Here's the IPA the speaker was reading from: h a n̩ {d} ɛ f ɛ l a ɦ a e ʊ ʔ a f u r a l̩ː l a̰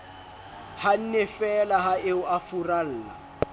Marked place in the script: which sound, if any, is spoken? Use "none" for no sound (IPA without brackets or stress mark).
n